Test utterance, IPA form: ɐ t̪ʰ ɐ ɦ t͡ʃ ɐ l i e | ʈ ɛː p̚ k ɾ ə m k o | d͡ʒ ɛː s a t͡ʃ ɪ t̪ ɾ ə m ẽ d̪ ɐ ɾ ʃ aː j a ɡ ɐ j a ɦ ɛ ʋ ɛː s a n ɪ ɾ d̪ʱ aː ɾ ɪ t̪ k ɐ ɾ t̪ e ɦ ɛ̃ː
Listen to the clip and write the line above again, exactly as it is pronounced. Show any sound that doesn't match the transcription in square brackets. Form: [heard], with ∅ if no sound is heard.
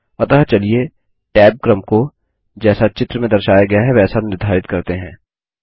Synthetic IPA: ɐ [t̪] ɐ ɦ t͡ʃ ɐ l i e | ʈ ɛː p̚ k ɾ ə m k o | d͡ʒ ɛː s a t͡ʃ ɪ t̪ ɾ ə m ẽ d̪ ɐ ɾ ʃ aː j a ɡ ɐ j a ɦ ɛ ʋ ɛː s a n ɪ ɾ d̪ʱ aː ɾ ɪ t̪ k ɐ ɾ t̪ e ɦ ɛ̃ː